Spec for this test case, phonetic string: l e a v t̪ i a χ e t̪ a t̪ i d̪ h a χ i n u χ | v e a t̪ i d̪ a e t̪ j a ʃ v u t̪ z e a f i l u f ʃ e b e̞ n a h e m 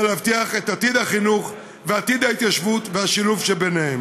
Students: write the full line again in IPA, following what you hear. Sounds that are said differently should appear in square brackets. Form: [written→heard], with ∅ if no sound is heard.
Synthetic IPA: l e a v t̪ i a χ e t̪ a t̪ i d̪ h a χ i n u χ | v e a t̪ i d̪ a [e→i] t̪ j a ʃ v u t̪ [z→v] e a [f→ʃ] i l u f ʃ e b e̞ n [a→e] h e m